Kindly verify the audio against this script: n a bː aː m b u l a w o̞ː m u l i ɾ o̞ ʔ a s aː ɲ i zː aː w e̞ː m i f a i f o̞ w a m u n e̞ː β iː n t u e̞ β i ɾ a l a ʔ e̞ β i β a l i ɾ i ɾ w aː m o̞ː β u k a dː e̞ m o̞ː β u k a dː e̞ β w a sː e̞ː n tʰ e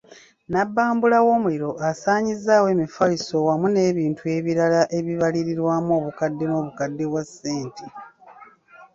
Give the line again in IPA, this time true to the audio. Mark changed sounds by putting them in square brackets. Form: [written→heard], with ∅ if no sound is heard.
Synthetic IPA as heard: n a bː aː m b u l a w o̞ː m u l i ɾ o̞ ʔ a s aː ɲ i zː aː w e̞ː m i f a i [f→s] o̞ w a m u n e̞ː β iː n t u e̞ β i ɾ a l a ʔ e̞ β i β a l i ɾ i ɾ w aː m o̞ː β u k a dː e̞ [m→n] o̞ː β u k a dː e̞ β w a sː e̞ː n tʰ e